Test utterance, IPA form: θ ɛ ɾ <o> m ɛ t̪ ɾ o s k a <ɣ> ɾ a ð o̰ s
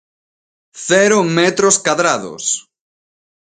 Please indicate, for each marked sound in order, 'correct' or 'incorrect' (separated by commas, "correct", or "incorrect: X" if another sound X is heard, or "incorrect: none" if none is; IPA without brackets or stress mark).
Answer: correct, incorrect: ð